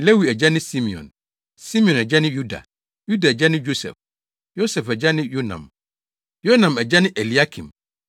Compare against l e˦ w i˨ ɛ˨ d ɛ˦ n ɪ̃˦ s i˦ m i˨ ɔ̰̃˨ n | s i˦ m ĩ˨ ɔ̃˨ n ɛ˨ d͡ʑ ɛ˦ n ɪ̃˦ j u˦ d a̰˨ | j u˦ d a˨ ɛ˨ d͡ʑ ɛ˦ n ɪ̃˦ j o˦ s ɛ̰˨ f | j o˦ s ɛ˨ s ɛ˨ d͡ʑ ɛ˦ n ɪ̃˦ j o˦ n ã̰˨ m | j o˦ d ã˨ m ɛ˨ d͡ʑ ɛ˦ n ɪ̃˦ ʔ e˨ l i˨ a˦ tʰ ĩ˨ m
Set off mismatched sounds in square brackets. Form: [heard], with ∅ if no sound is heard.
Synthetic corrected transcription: l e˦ w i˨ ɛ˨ [d͡ʑ] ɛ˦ n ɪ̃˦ s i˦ m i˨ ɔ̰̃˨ n | s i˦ m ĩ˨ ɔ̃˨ n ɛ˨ d͡ʑ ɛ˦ n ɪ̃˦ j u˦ d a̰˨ | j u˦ d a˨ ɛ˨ d͡ʑ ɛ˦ n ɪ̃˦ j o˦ s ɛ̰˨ f | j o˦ s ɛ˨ [f] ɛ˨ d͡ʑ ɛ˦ n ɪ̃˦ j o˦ n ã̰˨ m | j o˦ [n] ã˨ m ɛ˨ d͡ʑ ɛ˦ n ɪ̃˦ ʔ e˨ l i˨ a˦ [kʰ] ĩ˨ m